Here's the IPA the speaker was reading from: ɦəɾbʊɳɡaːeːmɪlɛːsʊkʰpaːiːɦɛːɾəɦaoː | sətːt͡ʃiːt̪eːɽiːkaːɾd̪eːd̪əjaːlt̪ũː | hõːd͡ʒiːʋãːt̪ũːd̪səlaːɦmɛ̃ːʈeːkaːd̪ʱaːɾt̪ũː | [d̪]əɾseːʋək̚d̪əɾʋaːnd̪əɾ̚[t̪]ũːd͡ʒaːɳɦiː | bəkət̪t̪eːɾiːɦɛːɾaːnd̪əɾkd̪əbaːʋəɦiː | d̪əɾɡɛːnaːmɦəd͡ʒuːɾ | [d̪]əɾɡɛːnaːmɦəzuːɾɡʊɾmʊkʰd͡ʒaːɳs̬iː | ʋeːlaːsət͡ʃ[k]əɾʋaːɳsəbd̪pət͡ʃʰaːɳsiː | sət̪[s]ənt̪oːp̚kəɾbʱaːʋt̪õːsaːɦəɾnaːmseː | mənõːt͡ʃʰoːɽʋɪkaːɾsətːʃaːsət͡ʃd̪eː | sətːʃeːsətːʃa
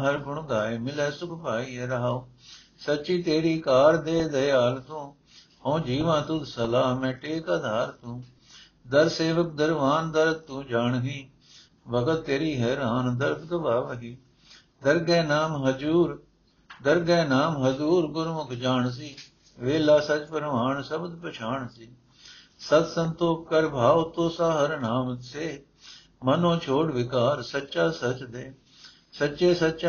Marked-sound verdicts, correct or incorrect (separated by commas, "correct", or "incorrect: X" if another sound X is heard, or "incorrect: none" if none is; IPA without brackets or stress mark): correct, correct, correct, incorrect: p, correct